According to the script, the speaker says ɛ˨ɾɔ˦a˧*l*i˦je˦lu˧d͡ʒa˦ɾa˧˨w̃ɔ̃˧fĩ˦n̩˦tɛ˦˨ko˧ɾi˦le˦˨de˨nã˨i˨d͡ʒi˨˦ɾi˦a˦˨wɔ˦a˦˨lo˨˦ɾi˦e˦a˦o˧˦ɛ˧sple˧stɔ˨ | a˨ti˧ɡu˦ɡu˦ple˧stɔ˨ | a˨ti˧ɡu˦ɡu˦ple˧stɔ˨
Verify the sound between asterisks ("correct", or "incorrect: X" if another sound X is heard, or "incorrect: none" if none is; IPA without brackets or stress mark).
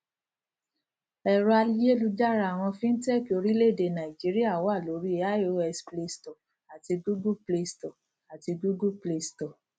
correct